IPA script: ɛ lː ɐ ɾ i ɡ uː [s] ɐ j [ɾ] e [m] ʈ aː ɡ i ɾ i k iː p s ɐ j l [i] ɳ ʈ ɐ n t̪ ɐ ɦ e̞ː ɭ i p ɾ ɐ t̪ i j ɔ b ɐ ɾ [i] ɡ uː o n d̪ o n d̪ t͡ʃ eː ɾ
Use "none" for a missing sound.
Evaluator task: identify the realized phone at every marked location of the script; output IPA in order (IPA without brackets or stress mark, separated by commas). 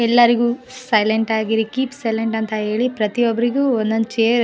s, l, ɳ, e, i